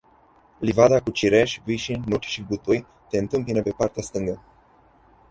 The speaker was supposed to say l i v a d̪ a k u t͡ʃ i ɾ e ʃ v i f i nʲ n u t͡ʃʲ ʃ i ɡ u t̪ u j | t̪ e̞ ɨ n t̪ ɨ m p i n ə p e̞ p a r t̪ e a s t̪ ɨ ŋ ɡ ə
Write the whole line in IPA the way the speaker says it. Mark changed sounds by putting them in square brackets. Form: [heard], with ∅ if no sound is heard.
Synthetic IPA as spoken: l i v a d̪ a k u t͡ʃ i ɾ e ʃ v i [ʃ] i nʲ n u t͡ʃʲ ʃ i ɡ u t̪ u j | t̪ e̞ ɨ n t̪ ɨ m p i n ə p e̞ p a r t̪ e a s t̪ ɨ ŋ ɡ ə

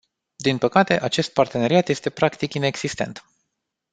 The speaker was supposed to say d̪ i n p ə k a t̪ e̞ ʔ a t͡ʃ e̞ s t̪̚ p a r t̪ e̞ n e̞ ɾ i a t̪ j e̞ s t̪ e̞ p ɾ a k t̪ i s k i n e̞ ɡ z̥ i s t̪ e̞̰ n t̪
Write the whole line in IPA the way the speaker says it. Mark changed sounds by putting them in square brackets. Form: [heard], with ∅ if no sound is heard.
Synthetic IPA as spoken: d̪ i n p ə k a t̪ e̞ ʔ a t͡ʃ e̞ s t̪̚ p a r t̪ e̞ n e̞ ɾ i a t̪ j e̞ s t̪ e̞ p ɾ a k t̪ i [∅] k i n e̞ ɡ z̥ i s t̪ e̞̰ n t̪

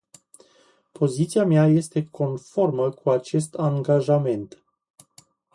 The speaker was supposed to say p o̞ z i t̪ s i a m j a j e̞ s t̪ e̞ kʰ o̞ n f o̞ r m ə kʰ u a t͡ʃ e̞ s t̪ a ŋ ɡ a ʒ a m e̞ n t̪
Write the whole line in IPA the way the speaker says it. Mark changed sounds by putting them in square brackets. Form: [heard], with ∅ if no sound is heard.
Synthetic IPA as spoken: p o̞ z i t̪ s i a m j a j e̞ s t̪ e̞ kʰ o̞ n f o̞ r m ə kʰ u a t͡ʃ e̞ s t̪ a ŋ ɡ a ʒ a m e̞ n t̪

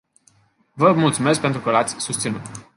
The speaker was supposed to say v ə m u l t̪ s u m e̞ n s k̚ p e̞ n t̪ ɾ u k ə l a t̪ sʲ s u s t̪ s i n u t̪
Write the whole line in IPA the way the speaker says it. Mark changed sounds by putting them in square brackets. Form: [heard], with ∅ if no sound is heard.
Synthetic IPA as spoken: v ə m u l t̪ s u m e̞ [∅] s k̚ p e̞ n t̪ ɾ u k ə l a t̪ sʲ s u s t̪ s i n u t̪

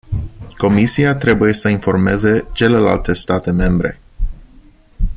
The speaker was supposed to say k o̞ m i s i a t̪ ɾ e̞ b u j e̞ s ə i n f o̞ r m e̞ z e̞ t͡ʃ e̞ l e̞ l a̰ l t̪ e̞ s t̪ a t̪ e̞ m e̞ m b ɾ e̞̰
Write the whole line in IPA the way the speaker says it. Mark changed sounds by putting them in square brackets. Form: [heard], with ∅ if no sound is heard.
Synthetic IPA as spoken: k o̞ m i s i a t̪ ɾ e̞ b u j e̞ s ə i n f o̞ r m e̞ z e̞ t͡ʃ e̞ l e̞ l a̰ l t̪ e̞ s t̪ a t̪ e̞ m e̞ m b ɾ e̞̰

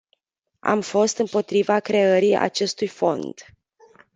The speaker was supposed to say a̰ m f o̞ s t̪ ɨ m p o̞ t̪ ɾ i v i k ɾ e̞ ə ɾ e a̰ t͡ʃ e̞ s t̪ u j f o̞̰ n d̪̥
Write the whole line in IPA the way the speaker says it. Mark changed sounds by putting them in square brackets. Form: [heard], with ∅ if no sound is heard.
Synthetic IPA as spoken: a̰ m f o̞ s t̪ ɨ m p o̞ t̪ ɾ i v [a] k ɾ e̞ ə ɾ [i] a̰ t͡ʃ e̞ s t̪ u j f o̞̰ n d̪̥

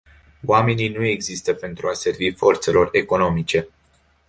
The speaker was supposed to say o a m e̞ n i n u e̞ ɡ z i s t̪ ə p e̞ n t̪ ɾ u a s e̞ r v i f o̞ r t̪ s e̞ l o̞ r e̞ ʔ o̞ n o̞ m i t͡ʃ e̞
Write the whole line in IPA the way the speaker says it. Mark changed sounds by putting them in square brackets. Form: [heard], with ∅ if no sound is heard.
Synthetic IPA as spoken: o a m e̞ n i n u e̞ ɡ z i s t̪ ə p e̞ n t̪ ɾ u a s e̞ r v i f o̞ r t̪ s e̞ l o̞ r e̞ [k] o̞ n o̞ m i t͡ʃ e̞

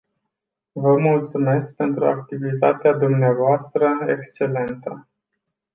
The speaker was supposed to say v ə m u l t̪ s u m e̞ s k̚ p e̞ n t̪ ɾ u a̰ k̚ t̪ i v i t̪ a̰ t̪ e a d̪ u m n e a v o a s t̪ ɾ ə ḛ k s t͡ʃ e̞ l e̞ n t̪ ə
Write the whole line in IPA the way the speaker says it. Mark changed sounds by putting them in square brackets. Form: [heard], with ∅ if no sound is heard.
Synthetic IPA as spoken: v ə m u l t̪ s u m e̞ s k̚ p e̞ n t̪ ɾ u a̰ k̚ t̪ i v i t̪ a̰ t̪ e a d̪ u m n e a v o a s t̪ ɾ ə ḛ k s t͡ʃ e̞ l e̞ n t̪ ə

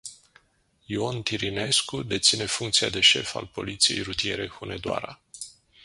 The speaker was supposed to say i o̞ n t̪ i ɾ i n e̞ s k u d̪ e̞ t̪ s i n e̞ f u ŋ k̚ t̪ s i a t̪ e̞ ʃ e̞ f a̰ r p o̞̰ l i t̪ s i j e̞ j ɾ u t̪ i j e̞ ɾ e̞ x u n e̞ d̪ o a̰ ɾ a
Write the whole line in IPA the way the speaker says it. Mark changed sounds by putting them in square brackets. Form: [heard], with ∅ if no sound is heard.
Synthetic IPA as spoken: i o̞ n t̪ i ɾ i n e̞ s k u d̪ e̞ t̪ s i n e̞ f u ŋ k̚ t̪ s i a [d̪] e̞ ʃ e̞ f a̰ [l] p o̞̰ l i t̪ s i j e̞ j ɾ u t̪ i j e̞ ɾ e̞ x u n e̞ d̪ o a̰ ɾ a

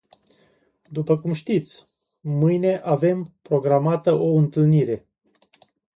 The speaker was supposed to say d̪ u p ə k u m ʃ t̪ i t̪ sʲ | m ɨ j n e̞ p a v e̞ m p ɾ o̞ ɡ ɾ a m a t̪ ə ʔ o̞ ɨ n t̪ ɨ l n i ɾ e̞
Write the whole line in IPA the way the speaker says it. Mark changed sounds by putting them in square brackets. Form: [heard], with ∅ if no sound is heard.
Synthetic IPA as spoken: d̪ u p ə k u m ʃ t̪ i t̪ sʲ | m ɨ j n e̞ [ʔ] a v e̞ m p ɾ o̞ ɡ ɾ a m a t̪ ə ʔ o̞ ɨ n t̪ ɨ l n i ɾ e̞

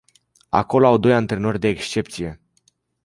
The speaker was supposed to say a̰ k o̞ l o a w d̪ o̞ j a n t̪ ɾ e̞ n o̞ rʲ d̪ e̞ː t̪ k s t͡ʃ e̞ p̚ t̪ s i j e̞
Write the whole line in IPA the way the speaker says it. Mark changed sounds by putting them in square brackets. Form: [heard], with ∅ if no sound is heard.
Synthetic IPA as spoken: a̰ k o̞ l o a w d̪ o̞ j a n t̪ ɾ e̞ n o̞ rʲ d̪ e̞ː [∅] k s t͡ʃ e̞ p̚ t̪ s i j e̞

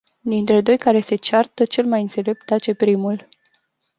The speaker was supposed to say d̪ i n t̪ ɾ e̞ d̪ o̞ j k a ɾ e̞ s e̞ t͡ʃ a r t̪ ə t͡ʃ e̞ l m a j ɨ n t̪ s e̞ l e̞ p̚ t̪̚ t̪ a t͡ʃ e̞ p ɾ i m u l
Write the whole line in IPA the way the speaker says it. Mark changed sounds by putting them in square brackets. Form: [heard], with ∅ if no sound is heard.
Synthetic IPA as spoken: d̪ i n t̪ ɾ e̞ d̪ o̞ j k a ɾ e̞ s e̞ t͡ʃ a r t̪ ə t͡ʃ e̞ l m a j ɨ n t̪ s e̞ l e̞ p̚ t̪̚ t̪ a t͡ʃ e̞ p ɾ i m u l

